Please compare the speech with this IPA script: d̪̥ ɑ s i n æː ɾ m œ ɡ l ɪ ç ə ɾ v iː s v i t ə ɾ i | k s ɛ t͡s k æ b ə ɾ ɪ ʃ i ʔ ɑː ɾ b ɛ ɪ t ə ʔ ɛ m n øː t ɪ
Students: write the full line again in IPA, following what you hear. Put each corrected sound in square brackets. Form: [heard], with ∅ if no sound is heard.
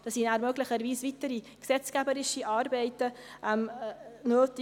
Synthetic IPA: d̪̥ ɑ s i n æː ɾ m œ ɡ l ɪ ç ə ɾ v iː s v i t ə ɾ i | k s ɛ t͡s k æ b ə ɾ ɪ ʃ i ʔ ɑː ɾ b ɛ ɪ t ə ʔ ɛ m n øː t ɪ